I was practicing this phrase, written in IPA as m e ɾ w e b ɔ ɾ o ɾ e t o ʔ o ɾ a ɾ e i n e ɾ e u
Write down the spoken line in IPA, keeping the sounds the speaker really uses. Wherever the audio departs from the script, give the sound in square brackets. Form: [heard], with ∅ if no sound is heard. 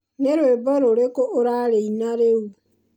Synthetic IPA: [n] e ɾ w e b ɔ ɾ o ɾ e [k] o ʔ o ɾ a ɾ e i n [a] ɾ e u